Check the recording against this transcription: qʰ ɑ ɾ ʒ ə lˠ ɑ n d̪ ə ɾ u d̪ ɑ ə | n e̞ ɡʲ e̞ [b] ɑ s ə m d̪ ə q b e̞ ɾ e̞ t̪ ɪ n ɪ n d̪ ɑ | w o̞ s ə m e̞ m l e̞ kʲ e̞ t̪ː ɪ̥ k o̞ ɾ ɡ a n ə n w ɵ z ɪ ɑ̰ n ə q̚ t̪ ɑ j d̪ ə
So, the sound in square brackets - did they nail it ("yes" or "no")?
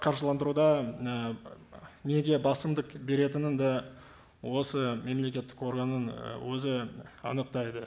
yes